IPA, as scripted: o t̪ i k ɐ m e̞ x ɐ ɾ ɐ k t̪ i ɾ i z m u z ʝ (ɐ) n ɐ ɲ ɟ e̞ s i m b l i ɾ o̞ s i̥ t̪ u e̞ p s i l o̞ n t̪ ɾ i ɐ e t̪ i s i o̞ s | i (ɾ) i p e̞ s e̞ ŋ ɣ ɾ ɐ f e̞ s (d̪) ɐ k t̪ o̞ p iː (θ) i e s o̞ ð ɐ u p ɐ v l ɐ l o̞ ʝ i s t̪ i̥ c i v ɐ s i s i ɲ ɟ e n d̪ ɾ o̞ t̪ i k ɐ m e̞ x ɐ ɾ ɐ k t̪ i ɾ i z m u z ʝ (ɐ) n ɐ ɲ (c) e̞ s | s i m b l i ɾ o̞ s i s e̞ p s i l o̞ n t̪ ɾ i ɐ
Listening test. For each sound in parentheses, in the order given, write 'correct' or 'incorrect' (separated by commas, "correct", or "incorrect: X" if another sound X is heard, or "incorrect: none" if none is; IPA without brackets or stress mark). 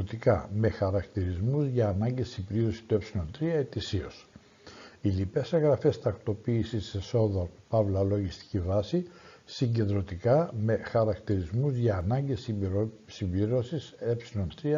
incorrect: ɐː, incorrect: l, incorrect: t̪, incorrect: s, incorrect: ɐː, incorrect: ɟ